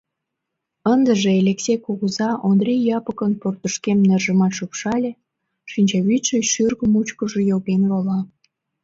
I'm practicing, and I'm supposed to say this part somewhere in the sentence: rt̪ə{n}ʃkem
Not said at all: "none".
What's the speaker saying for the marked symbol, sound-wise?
none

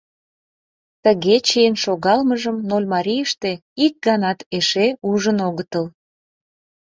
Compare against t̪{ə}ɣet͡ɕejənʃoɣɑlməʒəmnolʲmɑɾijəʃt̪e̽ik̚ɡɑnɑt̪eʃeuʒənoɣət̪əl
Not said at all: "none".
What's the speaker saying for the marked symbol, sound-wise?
ə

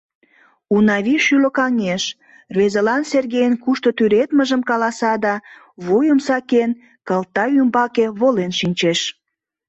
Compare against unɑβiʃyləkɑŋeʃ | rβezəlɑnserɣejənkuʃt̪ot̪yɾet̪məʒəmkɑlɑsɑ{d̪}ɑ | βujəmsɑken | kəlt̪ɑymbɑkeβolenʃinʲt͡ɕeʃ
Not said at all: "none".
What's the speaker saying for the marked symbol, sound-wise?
d̪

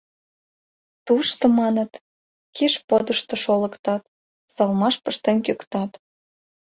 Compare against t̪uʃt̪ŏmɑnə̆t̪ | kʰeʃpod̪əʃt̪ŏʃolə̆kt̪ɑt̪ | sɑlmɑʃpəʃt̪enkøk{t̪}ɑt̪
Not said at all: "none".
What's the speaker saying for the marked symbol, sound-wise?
t̪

